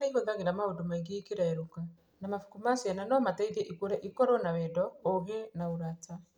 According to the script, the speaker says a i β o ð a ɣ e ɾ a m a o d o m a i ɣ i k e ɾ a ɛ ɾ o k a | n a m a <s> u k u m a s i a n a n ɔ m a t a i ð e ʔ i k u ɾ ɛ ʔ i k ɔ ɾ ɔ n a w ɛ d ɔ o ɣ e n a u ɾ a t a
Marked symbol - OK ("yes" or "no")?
no